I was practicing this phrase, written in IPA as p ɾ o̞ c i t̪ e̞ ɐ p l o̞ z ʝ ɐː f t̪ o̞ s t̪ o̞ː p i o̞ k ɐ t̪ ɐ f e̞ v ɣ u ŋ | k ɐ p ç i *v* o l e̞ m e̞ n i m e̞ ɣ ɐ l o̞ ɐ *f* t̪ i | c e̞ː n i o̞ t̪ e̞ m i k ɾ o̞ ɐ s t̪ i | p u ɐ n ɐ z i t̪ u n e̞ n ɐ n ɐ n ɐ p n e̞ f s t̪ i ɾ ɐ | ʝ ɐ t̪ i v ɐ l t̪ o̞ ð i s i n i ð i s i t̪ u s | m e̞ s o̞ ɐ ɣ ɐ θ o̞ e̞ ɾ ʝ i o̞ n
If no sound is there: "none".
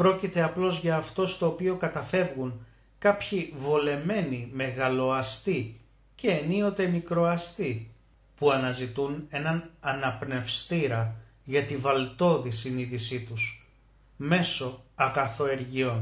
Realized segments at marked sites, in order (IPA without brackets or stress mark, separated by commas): v, s